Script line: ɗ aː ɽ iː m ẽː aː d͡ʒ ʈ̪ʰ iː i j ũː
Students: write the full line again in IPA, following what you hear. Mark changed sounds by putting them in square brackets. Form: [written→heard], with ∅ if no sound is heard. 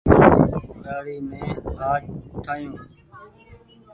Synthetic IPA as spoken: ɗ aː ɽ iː m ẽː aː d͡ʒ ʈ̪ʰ [iː→aː] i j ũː